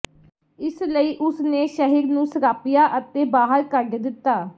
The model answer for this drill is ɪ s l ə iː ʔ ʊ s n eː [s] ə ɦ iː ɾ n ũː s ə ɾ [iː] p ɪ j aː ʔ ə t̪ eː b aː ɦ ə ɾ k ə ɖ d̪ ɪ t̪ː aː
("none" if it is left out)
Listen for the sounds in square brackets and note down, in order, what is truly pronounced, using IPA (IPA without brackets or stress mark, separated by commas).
ʃ, aː